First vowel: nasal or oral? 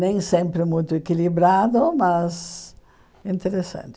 nasal